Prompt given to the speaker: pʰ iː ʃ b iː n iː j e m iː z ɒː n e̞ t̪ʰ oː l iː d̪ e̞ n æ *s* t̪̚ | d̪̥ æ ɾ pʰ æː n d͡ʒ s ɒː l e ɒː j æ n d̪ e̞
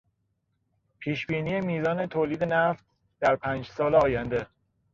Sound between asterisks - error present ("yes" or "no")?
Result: yes